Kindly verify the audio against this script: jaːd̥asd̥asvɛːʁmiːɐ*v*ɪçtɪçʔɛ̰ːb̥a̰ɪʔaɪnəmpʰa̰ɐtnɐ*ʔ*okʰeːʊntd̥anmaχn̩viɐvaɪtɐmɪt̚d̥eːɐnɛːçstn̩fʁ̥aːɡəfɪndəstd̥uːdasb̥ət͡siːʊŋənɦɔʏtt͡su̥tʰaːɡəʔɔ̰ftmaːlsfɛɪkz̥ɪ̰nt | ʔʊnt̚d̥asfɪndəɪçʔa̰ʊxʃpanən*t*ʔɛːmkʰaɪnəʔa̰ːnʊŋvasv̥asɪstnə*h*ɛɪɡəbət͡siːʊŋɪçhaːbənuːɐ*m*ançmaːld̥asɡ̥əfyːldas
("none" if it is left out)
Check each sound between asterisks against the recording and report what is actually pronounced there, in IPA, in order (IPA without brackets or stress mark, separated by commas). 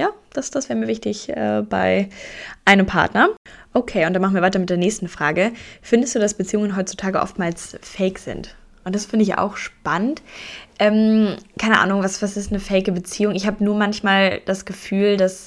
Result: v, ʔ, t, f, m